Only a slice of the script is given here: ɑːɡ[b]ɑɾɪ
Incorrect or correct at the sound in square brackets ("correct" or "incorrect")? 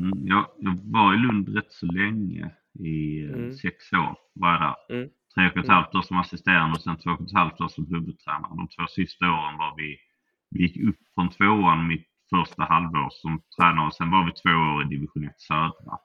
incorrect